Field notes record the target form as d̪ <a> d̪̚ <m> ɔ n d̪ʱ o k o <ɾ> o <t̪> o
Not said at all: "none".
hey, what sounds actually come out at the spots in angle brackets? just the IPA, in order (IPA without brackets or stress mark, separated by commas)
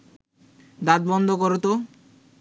a, b, ɾ, t̪